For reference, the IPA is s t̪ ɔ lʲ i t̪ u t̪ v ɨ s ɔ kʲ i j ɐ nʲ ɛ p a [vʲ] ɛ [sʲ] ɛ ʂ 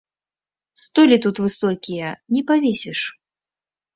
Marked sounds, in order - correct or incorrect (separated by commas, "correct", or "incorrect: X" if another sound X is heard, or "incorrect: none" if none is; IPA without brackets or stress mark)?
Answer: correct, correct